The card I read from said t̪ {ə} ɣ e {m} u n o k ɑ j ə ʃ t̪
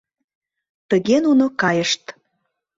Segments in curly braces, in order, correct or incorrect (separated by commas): correct, incorrect